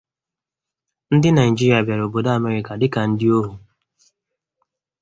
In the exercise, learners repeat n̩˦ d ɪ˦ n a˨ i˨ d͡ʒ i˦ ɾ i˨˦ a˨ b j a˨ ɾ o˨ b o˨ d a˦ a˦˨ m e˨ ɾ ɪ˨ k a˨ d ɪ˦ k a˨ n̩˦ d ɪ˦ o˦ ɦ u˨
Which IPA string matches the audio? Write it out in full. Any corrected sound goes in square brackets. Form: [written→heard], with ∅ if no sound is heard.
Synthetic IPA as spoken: n̩˦ d ɪ˦ n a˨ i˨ d͡ʒ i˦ ɾ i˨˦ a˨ b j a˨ ɾ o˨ b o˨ d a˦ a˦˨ m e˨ ɾ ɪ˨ k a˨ d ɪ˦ k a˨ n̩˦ d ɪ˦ o˦ ɦ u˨

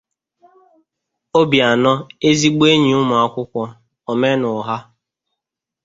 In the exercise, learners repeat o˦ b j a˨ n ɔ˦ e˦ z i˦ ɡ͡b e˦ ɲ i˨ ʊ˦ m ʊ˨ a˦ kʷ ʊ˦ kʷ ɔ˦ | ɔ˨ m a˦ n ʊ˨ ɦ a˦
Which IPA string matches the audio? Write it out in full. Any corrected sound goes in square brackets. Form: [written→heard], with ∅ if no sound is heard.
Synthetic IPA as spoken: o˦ b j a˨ n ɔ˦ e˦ z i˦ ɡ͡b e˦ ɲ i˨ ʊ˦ m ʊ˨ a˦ kʷ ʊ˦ kʷ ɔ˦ | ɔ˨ m [a˦→e˦] n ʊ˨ ɦ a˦

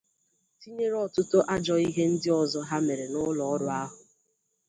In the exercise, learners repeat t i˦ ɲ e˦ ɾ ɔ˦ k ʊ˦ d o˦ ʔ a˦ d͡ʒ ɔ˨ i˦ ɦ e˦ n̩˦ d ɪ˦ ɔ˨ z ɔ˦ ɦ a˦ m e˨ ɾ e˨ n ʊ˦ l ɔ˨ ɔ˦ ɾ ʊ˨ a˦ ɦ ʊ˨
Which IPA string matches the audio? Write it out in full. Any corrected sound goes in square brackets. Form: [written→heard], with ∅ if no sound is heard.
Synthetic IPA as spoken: t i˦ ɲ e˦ ɾ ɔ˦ [k→t] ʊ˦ [d→t] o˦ ʔ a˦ d͡ʒ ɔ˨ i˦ ɦ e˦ n̩˦ d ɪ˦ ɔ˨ z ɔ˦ ɦ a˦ m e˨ ɾ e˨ n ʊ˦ l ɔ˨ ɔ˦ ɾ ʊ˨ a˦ ɦ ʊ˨

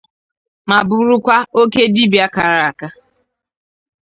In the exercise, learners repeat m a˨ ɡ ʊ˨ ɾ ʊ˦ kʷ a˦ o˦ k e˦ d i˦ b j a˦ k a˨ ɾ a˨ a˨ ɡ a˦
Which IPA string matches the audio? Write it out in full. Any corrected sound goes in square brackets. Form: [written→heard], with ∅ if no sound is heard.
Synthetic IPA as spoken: m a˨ [ɡ→b] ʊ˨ ɾ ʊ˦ kʷ a˦ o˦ k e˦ d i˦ b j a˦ k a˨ ɾ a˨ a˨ [ɡ→k] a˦

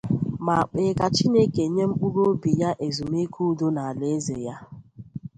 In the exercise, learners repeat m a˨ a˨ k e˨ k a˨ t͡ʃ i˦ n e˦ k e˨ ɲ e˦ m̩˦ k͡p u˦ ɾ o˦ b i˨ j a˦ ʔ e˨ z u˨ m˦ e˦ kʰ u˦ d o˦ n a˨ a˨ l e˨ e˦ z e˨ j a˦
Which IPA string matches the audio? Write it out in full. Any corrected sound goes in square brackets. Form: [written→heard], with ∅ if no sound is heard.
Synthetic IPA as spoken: m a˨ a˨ [k→k͡p] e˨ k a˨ t͡ʃ i˦ n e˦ k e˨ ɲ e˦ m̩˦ k͡p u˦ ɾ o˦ b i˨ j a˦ ʔ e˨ z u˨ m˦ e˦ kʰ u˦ d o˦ n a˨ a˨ l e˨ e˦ z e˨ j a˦

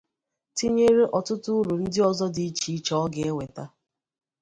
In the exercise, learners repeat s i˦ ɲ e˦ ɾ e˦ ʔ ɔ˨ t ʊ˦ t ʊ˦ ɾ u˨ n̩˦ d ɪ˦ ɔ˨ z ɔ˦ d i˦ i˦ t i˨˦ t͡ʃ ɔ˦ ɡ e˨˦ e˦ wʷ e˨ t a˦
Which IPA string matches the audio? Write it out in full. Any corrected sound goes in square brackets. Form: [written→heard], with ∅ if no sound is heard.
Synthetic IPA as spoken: [s→t] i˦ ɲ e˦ ɾ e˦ ʔ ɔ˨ t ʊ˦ t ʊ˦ ɾ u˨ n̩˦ d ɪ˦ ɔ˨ z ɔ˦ d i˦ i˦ [t→t͡ʃ] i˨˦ t͡ʃ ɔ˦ ɡ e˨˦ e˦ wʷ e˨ t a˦

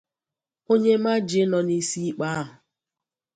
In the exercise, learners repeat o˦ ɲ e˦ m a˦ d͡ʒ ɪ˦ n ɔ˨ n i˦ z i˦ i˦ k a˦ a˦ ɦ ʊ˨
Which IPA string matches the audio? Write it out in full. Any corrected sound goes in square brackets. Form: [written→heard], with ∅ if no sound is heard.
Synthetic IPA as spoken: o˦ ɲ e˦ m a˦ d͡ʒ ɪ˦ n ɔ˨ n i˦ [z→s] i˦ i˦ [k→k͡p] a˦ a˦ ɦ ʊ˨

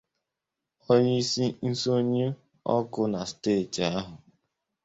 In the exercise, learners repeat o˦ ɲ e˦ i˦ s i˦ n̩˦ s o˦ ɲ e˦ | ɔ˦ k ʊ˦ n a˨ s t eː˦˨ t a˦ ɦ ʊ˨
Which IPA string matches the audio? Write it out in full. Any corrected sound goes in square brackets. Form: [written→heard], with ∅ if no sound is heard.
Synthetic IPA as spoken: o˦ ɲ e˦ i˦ s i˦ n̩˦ s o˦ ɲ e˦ | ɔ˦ k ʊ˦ n a˨ s t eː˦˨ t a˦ ɦ ʊ˨

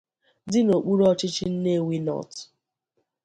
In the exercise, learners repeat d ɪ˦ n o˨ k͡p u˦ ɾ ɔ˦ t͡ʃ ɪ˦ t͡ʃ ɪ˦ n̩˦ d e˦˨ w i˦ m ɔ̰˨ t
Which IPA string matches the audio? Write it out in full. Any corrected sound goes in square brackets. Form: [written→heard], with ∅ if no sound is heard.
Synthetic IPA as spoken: d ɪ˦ n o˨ k͡p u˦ ɾ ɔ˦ t͡ʃ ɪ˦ t͡ʃ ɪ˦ n̩˦ [d→n] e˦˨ w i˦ [m→n] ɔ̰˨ t

